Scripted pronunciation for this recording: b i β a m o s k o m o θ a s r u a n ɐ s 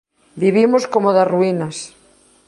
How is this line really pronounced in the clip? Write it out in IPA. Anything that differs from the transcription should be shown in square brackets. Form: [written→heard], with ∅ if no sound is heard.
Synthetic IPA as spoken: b i β [a→i] m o s k o m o [θ→ð] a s r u [a→i] n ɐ s